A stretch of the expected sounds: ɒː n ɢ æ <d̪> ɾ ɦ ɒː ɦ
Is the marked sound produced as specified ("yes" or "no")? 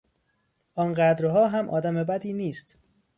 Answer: yes